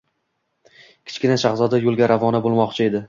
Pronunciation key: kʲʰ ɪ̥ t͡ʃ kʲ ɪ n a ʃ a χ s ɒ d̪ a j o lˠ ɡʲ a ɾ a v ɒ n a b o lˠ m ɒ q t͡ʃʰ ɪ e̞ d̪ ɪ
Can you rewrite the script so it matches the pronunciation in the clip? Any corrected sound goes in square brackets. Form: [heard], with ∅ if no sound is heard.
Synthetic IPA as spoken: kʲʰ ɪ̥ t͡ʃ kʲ ɪ n a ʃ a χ [z] ɒ d̪ a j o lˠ ɡʲ a ɾ a v ɒ n a b o lˠ m ɒ q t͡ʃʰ ɪ e̞ d̪ ɪ